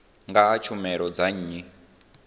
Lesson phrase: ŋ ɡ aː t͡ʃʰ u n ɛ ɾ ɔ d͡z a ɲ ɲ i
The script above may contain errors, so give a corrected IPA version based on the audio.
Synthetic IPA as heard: ŋ ɡ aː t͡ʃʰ u m ɛ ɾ ɔ d͡z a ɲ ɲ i